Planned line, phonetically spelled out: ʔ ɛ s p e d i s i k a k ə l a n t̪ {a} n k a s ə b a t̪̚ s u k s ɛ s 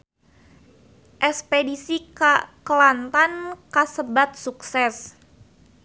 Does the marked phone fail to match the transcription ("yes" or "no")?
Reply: no